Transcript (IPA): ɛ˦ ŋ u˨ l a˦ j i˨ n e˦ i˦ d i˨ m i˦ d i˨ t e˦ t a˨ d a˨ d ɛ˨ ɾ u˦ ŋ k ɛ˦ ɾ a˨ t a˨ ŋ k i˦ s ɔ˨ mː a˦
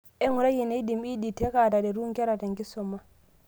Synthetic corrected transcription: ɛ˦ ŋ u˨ ɾ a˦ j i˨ n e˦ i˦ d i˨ m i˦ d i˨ t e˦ k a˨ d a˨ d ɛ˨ ɾ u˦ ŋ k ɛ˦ ɾ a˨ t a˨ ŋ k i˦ s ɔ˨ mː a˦